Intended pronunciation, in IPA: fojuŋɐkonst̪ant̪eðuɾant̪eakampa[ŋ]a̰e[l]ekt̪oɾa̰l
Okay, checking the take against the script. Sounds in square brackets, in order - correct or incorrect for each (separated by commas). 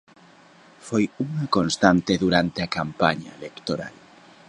incorrect, correct